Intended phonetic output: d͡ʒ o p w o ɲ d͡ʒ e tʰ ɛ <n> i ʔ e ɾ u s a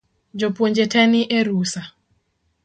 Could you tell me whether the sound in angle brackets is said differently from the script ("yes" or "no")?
no